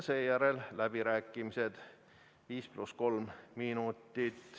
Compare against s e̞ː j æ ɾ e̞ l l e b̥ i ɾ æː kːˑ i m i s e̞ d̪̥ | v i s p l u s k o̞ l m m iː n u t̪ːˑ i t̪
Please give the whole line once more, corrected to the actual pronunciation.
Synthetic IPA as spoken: s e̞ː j æ ɾ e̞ l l æ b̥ i ɾ æː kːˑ i m i s e̞ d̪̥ | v iː s p l u s k o̞ l m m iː n u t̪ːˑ i t̪